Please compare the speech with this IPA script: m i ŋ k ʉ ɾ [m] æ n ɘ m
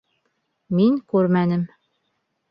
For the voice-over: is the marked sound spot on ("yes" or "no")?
yes